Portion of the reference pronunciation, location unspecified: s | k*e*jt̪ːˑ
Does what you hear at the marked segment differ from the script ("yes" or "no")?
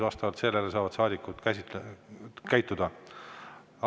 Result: yes